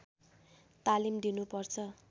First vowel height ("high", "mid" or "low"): low